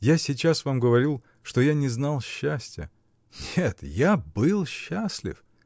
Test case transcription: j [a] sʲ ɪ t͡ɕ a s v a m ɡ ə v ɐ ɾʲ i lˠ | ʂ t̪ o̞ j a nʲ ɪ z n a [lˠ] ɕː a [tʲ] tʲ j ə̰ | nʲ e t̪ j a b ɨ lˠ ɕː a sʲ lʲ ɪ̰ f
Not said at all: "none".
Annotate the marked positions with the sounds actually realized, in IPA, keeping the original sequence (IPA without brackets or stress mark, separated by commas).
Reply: a, lˠ, sʲ